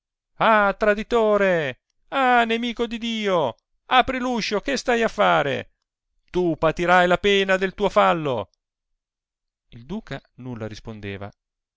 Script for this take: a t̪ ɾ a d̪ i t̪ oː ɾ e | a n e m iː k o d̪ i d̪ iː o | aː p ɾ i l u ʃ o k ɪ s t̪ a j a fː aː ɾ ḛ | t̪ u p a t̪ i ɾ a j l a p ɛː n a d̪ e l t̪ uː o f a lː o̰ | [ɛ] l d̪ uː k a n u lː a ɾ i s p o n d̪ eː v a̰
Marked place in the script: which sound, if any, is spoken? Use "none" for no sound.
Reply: i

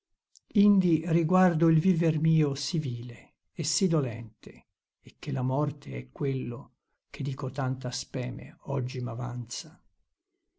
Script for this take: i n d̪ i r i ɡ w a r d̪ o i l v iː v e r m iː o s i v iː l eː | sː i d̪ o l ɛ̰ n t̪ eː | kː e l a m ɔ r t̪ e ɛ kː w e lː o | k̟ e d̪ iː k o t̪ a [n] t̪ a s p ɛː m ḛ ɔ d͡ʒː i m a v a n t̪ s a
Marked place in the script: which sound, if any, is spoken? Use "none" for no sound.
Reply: n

